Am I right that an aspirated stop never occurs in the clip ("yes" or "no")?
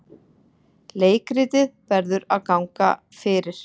yes